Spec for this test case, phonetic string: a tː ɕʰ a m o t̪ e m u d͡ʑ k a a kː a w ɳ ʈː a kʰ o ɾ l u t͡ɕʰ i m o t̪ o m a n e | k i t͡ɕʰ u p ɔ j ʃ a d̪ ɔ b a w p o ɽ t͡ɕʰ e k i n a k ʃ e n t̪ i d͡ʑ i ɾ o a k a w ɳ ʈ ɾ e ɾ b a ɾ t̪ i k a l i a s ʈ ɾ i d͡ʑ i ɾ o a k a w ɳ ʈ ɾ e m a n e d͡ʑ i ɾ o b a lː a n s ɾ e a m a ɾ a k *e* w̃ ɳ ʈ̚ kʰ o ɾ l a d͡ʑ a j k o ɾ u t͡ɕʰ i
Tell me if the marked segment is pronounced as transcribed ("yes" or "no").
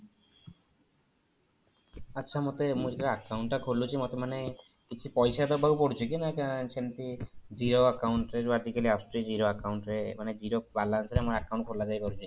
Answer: no